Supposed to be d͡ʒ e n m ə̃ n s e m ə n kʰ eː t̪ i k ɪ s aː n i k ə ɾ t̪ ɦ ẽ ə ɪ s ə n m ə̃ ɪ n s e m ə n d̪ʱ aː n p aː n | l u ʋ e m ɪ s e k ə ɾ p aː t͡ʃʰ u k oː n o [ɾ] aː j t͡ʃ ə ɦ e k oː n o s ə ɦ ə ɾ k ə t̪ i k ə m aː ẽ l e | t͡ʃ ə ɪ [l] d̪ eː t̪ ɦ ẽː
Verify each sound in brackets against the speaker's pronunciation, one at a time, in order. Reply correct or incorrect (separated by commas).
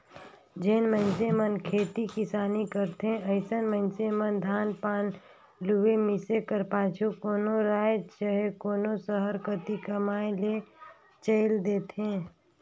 correct, correct